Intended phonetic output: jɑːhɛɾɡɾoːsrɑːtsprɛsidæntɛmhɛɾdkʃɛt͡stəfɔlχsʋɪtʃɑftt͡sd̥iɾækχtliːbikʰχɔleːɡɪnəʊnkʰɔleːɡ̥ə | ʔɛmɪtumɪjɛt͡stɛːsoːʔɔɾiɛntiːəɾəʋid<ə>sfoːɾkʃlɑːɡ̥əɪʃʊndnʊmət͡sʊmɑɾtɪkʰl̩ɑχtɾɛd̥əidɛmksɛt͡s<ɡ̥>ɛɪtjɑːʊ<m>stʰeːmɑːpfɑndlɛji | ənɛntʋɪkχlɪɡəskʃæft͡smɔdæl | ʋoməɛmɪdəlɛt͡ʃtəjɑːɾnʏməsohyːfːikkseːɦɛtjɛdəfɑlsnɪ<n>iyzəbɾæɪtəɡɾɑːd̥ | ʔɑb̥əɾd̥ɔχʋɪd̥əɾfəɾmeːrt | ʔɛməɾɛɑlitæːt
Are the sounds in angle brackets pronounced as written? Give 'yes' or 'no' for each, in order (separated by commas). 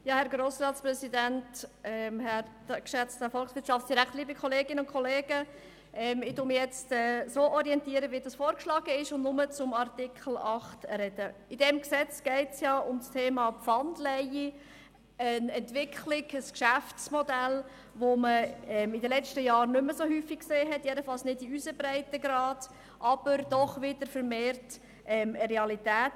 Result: no, yes, yes, no